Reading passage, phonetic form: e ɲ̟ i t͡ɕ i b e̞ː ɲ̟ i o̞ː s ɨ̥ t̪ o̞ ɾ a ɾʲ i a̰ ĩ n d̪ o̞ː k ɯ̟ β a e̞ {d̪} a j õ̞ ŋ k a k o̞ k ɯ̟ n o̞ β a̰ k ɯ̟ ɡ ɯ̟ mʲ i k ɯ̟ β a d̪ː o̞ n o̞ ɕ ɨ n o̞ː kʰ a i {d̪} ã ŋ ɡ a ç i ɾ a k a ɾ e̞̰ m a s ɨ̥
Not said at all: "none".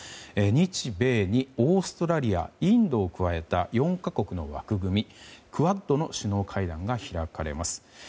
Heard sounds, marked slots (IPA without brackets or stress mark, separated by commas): t̪, d̪